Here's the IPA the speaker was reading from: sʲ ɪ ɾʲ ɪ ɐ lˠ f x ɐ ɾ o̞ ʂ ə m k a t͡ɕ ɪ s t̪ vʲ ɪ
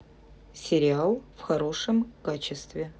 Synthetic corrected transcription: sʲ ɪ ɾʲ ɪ a lˠ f x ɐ ɾ o̞ ʂ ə m k a t͡ɕ ɪ s t̪ vʲ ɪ